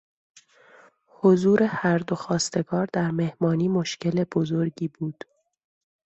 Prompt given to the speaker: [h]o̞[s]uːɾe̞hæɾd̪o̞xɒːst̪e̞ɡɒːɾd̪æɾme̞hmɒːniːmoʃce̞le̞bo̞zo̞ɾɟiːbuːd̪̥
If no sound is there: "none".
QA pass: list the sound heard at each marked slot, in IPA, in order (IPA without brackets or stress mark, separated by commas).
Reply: h, z